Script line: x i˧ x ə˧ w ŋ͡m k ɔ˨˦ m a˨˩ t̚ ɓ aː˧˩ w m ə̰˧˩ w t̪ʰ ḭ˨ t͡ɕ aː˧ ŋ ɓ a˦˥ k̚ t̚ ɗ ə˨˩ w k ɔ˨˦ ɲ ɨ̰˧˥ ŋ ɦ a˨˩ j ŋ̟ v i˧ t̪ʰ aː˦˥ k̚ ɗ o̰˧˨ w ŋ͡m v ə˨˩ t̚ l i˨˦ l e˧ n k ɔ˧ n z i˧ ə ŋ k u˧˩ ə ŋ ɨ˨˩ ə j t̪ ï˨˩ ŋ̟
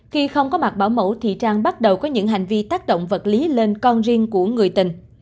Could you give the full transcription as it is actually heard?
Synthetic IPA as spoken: x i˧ x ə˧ w ŋ͡m k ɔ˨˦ m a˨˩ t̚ ɓ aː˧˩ w m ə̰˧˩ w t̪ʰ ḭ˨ t͡ɕ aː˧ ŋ ɓ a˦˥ t̚ ɗ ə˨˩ w k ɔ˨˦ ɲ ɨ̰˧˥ ŋ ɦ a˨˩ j ŋ̟ v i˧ t̪ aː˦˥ k̚ ɗ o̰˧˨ w ŋ͡m v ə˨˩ t̚ l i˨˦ l e˧ n k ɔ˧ n z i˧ ə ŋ k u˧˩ ə ŋ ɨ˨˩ ə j t̪ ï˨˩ ŋ̟